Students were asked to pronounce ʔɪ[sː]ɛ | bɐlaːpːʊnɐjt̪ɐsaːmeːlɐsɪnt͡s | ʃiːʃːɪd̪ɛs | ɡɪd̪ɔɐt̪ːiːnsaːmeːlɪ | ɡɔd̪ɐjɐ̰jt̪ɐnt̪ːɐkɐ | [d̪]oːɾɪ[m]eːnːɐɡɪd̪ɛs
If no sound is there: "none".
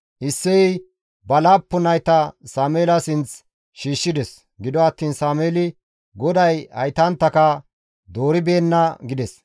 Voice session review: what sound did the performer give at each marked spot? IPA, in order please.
sː, d̪, b

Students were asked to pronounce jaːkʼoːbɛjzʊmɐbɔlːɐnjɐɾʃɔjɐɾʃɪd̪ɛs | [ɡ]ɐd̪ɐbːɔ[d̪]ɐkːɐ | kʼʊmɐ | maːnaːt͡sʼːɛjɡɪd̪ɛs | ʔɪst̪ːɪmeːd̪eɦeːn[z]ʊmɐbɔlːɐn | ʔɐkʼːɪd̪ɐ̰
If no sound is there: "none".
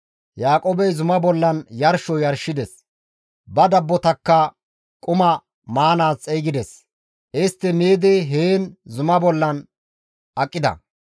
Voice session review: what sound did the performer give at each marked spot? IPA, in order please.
b, t̪, z

